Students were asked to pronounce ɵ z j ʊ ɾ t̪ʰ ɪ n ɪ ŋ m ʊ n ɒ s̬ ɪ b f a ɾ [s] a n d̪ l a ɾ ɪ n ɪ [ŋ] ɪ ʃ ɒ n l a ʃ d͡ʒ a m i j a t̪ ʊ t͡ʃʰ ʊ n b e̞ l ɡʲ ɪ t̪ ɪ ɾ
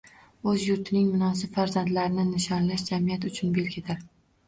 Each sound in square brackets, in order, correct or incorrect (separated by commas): incorrect, incorrect